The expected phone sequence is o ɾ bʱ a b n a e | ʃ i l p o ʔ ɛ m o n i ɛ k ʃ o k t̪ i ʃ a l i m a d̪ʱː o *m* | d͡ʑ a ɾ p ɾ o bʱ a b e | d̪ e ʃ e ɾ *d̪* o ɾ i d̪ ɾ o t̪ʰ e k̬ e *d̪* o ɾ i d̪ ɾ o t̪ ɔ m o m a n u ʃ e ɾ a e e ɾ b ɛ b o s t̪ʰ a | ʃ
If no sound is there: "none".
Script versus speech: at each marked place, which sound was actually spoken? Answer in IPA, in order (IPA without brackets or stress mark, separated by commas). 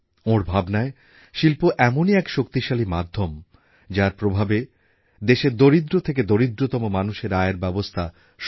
m, d̪, d̪